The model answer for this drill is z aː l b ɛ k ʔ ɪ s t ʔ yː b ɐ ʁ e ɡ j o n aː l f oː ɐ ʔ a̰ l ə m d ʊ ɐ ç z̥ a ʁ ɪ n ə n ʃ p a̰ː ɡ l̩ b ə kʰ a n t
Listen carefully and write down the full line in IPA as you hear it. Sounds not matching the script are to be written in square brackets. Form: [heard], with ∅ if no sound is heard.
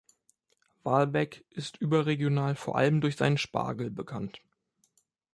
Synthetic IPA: [v] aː l b ɛ k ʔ ɪ s t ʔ yː b ɐ ʁ e ɡ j o n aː l f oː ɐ ʔ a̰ l ə m d ʊ ɐ ç z̥ a [∅] ɪ n ə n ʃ p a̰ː ɡ l̩ b ə kʰ a n t